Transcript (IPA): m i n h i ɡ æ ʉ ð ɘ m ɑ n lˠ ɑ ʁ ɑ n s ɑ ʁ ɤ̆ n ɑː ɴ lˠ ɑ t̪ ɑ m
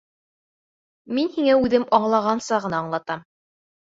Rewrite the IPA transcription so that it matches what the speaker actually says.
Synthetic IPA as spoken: m i n h i ŋ æ ʉ ð ɘ m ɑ ɴ lˠ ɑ ʁ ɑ n s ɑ ʁ ɤ̆ n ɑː ɴ lˠ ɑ t̪ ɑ m